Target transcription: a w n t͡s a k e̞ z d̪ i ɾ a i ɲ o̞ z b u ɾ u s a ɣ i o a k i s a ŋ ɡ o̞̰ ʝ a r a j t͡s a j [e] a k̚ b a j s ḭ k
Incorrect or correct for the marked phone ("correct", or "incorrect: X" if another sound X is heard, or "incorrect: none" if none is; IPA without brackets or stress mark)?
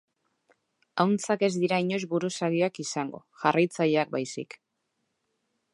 correct